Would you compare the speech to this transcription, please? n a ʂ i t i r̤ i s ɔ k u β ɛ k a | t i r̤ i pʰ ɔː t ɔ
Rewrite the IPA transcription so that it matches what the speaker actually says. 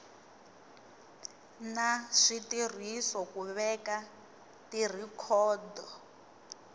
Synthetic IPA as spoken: n a ʂ i t i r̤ i s ɔ k u β ɛ k a | t i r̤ i kʰ ɔː d ɔ